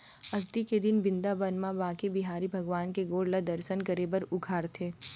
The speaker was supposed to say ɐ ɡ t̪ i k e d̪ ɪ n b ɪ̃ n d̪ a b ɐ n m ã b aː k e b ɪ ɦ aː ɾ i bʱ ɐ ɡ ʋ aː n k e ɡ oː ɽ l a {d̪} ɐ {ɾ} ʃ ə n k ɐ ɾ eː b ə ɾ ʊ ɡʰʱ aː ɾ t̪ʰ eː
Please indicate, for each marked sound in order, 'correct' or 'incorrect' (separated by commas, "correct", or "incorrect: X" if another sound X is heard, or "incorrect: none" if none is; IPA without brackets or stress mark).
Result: correct, correct